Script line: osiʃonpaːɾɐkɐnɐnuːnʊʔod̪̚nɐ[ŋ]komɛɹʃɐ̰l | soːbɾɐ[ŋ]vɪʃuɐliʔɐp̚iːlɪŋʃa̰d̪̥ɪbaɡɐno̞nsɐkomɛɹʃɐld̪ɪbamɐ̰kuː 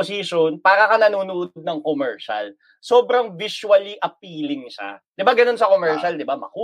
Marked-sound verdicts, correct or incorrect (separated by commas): correct, correct